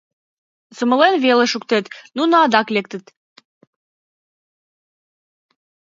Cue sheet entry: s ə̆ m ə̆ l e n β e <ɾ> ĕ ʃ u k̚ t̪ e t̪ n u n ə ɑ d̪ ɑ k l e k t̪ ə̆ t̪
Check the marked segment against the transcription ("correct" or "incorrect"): incorrect